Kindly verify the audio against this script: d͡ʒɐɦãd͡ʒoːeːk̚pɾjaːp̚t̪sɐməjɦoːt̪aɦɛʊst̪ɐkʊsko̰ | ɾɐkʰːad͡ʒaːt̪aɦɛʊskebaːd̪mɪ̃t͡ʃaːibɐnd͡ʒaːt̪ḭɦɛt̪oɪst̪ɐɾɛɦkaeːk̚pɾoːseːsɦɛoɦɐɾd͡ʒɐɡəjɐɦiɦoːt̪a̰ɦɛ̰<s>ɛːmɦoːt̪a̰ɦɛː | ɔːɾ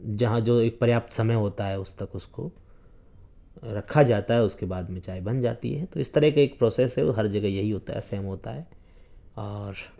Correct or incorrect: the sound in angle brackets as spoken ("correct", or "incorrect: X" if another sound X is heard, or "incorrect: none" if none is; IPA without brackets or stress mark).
correct